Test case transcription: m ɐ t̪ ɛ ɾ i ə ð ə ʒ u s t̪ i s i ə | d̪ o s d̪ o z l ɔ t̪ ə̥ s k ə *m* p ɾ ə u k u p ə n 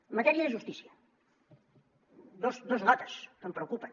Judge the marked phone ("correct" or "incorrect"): correct